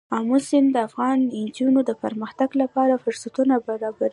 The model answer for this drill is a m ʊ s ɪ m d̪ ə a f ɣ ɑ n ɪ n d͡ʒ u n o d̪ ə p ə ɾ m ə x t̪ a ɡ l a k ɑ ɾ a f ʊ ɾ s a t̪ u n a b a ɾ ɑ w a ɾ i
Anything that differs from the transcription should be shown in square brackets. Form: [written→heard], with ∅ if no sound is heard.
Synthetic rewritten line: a m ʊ s ɪ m d̪ ə a f ɣ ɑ n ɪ n d͡ʒ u n o d̪ ə p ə ɾ m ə x t̪ a ɡ l a [k→p] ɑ ɾ a f ʊ ɾ s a t̪ u n a b a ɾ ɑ [w→b] a ɾ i